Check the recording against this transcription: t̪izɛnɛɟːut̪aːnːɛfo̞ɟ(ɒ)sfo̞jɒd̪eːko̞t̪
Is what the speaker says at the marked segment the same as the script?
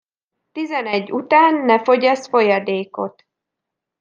yes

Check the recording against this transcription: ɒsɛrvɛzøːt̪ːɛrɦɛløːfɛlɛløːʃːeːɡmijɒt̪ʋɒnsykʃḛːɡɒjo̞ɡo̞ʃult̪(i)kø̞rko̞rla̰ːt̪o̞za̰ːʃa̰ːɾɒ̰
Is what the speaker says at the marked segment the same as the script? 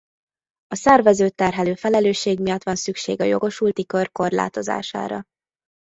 yes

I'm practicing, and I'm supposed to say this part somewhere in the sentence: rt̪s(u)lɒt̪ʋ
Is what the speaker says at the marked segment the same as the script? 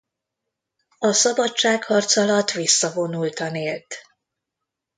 no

